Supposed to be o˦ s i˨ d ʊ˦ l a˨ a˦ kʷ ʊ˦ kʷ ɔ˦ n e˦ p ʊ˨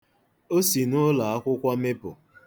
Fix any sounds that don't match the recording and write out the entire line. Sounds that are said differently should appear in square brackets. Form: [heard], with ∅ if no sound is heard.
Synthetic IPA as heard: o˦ s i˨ [n] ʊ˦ l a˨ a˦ kʷ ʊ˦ kʷ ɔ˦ [m] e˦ p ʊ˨